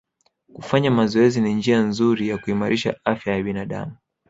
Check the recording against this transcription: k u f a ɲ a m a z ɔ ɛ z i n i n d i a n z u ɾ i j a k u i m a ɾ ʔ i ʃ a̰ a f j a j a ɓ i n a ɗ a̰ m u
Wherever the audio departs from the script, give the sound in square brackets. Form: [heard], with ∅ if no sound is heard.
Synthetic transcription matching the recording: k u f a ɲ a m a z ɔ ɛ z i n i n [d͡ʒ] i a n z u ɾ i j a k u i m a ɾ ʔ i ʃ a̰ a f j a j a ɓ i n a ɗ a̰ m u